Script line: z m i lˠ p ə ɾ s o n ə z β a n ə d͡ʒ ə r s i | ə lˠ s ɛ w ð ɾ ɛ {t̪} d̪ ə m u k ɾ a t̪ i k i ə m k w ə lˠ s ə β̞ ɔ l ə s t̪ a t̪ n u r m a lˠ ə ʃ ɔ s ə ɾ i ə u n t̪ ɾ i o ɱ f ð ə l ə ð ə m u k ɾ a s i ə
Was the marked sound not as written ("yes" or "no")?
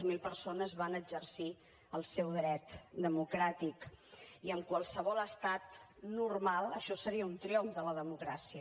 no